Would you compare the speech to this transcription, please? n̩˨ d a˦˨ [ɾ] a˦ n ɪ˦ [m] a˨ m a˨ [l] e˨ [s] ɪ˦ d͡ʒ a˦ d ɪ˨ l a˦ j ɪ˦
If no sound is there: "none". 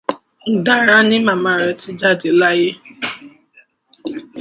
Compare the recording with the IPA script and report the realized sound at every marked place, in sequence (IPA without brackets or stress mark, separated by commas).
ɾ, m, ɾ, t